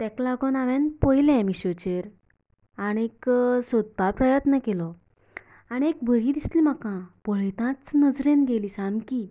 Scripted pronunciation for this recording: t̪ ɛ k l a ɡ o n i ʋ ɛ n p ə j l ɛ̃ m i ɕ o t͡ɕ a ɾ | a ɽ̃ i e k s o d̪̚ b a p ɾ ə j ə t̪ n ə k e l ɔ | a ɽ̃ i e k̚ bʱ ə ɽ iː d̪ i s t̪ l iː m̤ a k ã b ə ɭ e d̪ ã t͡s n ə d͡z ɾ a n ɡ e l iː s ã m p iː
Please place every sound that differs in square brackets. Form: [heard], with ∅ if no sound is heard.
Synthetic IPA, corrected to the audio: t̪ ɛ k l a ɡ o n [a] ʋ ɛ n p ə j l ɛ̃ m i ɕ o t͡ɕ [e] ɾ | a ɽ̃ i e k s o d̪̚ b a p ɾ ə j ə t̪ n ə k e l ɔ | a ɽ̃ i e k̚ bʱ ə [ɾ] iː d̪ i s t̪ l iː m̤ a k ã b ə ɭ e [t̪] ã t͡s n ə d͡z ɾ [e] n ɡ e l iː s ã m [k] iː